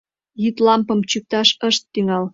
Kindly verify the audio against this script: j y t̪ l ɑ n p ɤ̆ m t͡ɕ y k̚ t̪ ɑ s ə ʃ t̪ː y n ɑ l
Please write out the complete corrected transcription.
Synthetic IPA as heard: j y t̪ l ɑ m p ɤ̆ m t͡ɕ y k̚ t̪ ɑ ʃ ə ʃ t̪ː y ŋ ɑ l